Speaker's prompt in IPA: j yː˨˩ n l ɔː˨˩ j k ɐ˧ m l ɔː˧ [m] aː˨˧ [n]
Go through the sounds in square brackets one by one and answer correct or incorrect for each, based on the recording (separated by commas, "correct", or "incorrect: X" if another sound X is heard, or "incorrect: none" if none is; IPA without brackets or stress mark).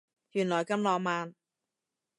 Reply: correct, correct